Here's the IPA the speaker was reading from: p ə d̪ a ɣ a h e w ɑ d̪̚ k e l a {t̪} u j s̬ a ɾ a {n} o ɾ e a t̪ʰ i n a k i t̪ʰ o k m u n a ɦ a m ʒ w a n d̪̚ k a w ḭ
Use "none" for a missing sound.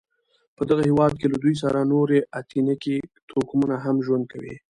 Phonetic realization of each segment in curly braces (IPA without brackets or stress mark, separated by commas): d̪, n